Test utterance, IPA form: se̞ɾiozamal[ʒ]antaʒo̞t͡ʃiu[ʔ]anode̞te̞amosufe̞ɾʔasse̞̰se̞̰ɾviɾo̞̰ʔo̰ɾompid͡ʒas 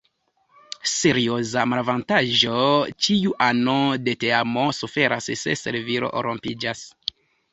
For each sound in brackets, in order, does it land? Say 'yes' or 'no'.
no, yes

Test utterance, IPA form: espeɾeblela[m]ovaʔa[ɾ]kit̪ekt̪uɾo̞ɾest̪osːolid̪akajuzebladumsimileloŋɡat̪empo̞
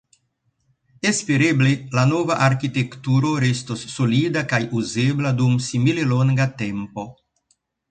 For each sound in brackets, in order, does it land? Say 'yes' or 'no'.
no, yes

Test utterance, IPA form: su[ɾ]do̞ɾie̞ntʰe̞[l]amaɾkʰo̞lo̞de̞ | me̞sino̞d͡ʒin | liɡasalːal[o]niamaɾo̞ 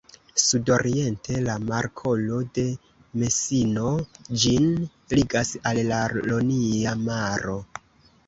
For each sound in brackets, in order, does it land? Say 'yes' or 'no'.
no, yes, yes

